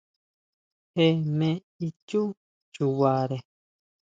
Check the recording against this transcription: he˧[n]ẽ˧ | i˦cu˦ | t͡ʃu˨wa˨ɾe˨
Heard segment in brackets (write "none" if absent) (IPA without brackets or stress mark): m